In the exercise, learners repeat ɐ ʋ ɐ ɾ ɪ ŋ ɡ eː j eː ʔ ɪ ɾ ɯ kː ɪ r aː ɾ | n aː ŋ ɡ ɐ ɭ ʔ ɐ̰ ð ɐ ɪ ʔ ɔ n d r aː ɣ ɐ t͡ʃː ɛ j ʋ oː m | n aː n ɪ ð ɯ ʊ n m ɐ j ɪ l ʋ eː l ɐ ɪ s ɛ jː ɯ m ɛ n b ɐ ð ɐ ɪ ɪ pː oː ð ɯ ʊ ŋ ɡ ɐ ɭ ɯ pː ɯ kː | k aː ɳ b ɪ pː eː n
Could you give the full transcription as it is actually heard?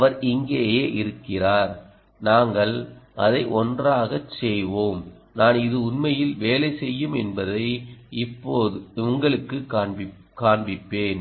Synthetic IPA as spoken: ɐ ʋ ɐ ɾ ɪ ŋ ɡ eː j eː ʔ ɪ ɾ ɯ kː ɪ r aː ɾ | n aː ŋ ɡ ɐ ɭ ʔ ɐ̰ ð ɐ ɪ ʔ ɔ n d r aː ɣ ɐ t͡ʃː ɛ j ʋ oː m | n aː n ɪ ð ɯ ʊ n m ɐ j ɪ l ʋ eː l ɐ ɪ s ɛ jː ɯ m ɛ n b ɐ ð ɐ ɪ ɪ pː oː ð ɯ ʊ ŋ ɡ ɐ ɭ ɯ kː ɯ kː | k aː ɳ b ɪ pː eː n